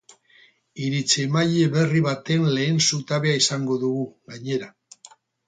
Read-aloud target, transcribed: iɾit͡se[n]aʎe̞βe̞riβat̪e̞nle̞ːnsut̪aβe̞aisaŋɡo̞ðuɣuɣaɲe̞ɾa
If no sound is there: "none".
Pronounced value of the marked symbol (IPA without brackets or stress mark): m